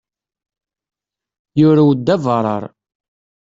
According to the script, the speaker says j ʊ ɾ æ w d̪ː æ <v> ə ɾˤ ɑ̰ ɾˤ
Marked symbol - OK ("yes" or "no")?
yes